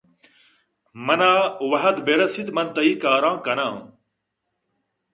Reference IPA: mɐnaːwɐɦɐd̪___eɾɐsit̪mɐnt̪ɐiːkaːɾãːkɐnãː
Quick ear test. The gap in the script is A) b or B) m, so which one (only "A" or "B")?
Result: A